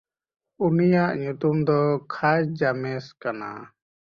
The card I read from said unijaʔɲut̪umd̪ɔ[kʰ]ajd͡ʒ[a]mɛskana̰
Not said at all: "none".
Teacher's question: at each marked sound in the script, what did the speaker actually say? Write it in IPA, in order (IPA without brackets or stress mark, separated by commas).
kʰ, a